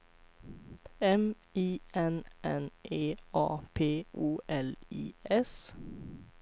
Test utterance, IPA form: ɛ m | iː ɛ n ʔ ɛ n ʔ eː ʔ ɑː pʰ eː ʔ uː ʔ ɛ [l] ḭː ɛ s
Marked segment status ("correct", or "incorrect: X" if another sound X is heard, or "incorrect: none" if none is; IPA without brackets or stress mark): correct